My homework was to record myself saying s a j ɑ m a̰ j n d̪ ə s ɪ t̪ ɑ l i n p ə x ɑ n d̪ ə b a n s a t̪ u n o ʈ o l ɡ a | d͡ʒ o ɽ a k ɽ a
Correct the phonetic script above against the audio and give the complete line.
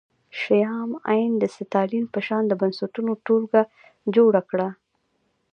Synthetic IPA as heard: ʃ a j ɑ m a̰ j n d̪ ə s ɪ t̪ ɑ l i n p ə ʃ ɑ n d̪ ə b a n s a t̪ u n o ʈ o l ɡ a | d͡ʒ o ɽ a k ɽ a